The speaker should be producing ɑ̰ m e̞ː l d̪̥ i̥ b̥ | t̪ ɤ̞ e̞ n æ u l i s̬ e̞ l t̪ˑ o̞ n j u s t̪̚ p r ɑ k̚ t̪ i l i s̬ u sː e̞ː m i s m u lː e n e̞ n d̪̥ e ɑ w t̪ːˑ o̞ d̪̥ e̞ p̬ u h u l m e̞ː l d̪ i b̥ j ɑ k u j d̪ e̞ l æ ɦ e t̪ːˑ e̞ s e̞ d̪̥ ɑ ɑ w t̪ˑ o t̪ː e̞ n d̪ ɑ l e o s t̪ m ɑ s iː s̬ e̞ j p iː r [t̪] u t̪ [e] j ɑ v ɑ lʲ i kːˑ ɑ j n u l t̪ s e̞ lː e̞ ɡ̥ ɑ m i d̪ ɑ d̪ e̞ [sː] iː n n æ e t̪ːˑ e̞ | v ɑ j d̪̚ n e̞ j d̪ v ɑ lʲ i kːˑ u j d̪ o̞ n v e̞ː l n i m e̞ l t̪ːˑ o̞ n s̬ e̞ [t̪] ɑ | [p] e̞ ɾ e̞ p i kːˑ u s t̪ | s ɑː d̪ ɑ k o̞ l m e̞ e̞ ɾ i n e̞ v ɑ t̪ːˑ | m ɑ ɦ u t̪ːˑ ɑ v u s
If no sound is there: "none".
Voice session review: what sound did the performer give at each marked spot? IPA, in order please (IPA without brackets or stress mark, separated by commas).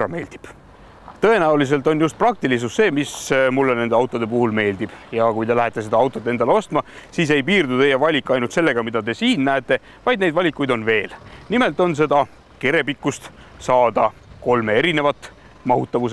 d̪, e, s, d̪, k